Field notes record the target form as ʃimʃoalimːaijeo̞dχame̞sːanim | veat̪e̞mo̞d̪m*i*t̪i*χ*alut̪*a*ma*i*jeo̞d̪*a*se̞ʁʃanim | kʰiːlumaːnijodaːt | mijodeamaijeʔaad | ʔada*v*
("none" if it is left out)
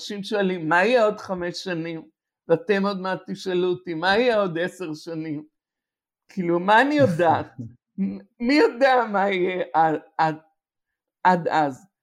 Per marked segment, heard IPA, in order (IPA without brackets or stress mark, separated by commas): a, ʃ, i, i, e, z